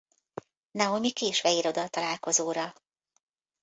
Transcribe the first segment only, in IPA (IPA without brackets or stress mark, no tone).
n